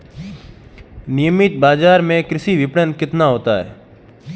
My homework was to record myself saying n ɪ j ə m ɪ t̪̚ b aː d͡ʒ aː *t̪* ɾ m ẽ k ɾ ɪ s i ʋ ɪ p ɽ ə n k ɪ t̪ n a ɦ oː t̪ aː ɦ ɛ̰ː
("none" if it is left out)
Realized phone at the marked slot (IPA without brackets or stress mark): none